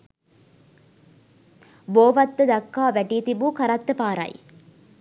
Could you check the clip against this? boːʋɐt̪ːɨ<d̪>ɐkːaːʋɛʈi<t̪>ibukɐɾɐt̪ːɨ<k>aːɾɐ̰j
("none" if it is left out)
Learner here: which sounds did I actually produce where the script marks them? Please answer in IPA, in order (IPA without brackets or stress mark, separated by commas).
d̪, t̪, p